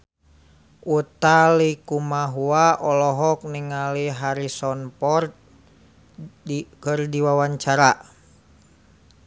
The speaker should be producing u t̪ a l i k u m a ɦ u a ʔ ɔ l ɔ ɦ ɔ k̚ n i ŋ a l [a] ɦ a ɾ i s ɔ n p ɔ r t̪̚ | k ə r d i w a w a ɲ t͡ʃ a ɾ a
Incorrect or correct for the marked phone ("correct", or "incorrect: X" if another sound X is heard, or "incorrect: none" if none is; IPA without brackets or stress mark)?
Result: incorrect: i